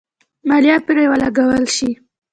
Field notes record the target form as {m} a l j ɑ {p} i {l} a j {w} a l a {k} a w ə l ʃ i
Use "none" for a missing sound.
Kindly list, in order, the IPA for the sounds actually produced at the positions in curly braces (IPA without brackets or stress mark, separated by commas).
m, p, ɾ, w, ɡ